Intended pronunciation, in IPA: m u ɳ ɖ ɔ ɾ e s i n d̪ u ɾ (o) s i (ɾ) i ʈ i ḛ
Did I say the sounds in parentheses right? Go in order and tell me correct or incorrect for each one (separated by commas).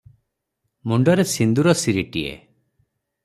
incorrect, correct